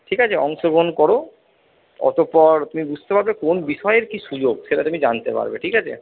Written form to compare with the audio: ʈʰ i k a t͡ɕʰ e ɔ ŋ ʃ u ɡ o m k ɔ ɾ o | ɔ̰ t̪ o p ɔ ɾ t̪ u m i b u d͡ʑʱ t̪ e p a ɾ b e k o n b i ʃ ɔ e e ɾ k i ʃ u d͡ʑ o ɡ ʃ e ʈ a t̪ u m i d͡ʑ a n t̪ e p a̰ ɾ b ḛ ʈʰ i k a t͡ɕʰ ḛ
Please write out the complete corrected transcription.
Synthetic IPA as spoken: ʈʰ i k a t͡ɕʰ e ɔ ŋ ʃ o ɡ o n k ɔ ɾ o | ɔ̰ t̪ o p ɔ ɾ t̪ u m i b u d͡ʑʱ t̪ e p a ɾ b e k o n b i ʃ ɔ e e ɾ k i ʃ u d͡ʑ o ɡ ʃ e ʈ a t̪ u m i d͡ʑ a n t̪ e p a̰ ɾ b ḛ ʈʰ i k a t͡ɕʰ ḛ